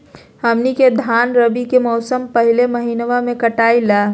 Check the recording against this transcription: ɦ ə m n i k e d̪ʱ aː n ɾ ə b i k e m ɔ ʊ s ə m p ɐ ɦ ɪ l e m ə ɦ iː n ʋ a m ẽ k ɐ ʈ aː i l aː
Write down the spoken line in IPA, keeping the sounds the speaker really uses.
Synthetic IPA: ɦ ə m n i k e d̪ʱ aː n ɾ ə b i k e m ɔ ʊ s ə m p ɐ ɦ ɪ l e m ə ɦ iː n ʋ a m ẽ k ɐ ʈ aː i l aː